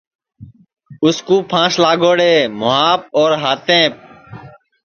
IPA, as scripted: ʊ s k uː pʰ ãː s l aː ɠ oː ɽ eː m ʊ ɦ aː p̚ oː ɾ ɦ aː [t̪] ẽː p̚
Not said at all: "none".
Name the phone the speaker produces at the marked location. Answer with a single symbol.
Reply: t̪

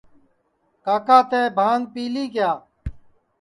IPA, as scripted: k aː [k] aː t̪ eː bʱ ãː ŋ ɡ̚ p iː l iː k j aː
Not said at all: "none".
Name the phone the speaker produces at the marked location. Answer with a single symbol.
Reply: k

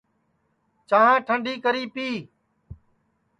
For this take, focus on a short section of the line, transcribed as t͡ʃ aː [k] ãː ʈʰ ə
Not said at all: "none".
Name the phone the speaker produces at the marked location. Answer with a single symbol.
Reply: none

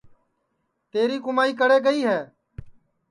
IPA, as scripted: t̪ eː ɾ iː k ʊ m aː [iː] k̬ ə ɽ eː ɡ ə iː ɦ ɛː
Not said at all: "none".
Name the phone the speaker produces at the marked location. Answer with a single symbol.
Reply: iː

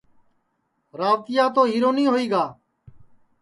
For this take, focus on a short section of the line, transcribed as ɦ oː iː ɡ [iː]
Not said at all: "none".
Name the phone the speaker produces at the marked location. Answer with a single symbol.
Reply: aː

